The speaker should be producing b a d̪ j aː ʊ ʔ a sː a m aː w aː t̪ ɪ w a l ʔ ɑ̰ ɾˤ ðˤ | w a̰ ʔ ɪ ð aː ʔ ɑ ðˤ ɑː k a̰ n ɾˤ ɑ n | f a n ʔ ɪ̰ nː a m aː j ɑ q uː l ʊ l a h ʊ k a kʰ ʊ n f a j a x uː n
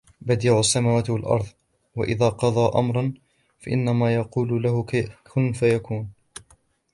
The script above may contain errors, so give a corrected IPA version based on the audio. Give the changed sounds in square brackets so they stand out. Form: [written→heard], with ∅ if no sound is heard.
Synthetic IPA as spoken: b a d̪ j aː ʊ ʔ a sː a m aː w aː t̪ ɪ w a l ʔ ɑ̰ ɾˤ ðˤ | w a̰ ʔ ɪ ð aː [ʔ→q] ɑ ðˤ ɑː [k→ʔ] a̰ [n→m] ɾˤ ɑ n | f a [n→∅] ʔ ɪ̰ nː a m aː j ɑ q uː l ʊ l a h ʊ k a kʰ ʊ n f a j a [x→k] uː n